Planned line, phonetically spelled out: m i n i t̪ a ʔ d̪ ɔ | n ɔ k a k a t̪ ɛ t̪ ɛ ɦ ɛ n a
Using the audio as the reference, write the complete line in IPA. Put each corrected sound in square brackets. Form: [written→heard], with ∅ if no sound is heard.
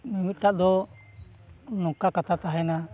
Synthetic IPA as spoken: m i [n→m] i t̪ a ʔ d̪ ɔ | n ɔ k a k a t̪ [ɛ→a] t̪ [ɛ→a] ɦ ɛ n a